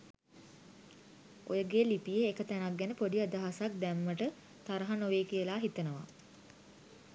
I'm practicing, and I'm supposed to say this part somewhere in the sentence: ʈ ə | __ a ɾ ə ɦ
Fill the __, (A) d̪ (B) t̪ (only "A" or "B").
B